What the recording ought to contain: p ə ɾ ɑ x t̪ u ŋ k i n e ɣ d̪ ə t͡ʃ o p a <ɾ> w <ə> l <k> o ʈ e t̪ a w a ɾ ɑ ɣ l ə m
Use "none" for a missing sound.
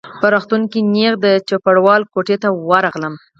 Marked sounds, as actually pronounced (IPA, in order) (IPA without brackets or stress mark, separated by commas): ɽ, ɑ, k